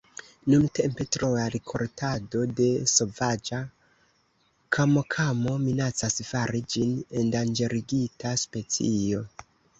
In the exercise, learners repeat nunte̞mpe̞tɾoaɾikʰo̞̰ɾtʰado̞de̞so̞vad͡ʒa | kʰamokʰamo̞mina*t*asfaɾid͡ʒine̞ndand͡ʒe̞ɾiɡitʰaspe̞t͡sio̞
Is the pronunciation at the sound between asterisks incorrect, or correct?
incorrect